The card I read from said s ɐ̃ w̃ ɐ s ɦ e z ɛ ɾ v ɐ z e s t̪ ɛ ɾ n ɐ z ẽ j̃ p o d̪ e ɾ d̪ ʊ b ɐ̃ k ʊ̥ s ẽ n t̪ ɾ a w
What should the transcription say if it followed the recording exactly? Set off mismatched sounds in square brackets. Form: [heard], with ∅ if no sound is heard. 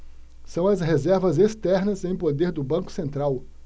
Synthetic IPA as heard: s ɐ̃ w̃ ɐ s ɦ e z ɛ ɾ v ɐ z e s t̪ ɛ ɾ n ɐ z ẽ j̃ p o d̪ e ɾ d̪ ʊ b ɐ̃ k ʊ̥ s ẽ n t̪ ɾ a w